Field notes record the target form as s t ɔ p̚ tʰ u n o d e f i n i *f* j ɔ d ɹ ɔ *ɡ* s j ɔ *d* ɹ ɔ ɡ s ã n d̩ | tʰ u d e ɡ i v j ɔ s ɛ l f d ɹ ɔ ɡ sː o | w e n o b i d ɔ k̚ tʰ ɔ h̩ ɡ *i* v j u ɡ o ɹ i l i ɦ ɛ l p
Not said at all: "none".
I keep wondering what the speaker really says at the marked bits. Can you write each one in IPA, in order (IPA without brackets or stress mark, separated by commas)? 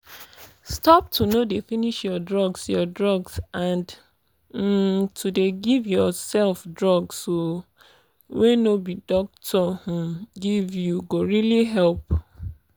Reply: ʃ, ɡ, d, i